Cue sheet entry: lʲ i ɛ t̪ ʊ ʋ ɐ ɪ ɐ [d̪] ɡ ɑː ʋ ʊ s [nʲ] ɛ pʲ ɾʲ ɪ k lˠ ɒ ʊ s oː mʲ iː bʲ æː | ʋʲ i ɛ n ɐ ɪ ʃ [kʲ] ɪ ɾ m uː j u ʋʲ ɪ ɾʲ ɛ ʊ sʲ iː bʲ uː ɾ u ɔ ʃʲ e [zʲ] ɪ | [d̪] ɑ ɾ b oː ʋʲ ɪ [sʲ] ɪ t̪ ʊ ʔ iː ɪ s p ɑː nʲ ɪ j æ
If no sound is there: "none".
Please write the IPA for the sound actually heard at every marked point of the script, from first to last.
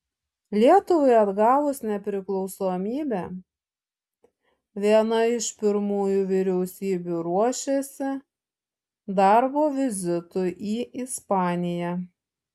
d̪, nʲ, pʲ, sʲ, d̪, zʲ

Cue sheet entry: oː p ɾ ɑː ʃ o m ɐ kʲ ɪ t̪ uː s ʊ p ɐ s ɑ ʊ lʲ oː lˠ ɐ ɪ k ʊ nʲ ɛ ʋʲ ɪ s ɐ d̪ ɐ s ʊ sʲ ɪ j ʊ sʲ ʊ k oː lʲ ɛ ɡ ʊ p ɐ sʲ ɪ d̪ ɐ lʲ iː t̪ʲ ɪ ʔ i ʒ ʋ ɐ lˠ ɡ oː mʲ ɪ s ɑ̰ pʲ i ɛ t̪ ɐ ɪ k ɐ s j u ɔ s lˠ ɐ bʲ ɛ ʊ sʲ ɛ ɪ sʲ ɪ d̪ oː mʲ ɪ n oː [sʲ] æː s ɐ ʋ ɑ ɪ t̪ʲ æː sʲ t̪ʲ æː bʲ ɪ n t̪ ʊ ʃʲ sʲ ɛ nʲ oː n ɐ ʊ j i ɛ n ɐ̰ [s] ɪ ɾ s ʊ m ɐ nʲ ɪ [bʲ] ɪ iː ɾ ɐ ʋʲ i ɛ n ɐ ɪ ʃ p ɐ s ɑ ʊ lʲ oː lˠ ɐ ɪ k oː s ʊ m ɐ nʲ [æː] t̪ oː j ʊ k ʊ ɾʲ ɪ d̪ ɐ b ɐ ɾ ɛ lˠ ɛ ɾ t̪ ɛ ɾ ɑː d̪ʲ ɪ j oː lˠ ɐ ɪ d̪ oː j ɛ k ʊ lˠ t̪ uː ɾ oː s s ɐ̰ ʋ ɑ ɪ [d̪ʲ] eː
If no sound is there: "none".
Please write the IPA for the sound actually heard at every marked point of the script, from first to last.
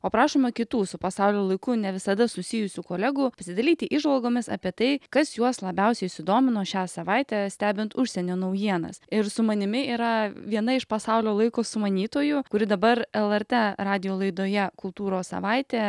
ʃʲ, s, mʲ, iː, t̪ʲ

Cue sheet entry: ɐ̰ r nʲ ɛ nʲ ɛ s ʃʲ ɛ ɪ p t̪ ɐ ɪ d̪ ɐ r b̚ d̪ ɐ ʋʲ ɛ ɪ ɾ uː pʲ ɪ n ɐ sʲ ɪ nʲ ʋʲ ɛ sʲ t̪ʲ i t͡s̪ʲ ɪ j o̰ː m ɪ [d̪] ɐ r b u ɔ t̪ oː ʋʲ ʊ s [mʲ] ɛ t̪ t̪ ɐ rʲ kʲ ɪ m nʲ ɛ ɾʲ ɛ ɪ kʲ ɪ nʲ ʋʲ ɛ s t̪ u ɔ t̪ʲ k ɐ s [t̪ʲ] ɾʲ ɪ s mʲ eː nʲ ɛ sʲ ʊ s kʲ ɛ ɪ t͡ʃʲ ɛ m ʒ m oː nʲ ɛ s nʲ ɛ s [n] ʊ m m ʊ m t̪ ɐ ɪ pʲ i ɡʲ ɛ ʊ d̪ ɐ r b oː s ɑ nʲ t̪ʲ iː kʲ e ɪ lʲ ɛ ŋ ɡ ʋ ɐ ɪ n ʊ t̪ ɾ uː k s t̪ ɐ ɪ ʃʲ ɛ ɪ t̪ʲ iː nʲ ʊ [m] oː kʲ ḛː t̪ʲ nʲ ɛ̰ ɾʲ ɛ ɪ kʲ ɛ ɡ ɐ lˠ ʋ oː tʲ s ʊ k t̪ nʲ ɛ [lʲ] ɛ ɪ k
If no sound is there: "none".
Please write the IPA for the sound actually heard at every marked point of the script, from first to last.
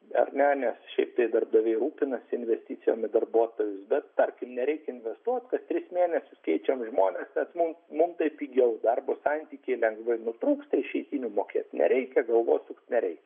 d̪, bʲ, t̪ʲ, m, m, ɾʲ

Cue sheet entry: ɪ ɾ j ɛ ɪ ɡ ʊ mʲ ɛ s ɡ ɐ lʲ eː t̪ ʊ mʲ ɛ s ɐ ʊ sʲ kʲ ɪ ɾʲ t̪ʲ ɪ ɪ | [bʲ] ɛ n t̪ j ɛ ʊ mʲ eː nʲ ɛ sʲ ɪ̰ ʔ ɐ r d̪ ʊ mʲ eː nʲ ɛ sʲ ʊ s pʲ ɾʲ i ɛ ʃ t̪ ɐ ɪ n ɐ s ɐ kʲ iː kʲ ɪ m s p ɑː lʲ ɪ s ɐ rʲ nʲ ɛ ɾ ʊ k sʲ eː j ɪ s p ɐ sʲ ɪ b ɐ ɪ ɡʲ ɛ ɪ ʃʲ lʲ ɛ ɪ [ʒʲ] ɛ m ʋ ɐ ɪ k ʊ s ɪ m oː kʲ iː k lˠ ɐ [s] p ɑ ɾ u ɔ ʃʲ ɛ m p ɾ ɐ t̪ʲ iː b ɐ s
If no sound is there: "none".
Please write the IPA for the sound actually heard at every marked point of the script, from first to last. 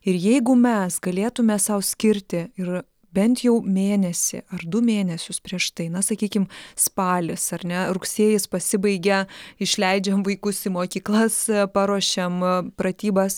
bʲ, d͡ʒʲ, s

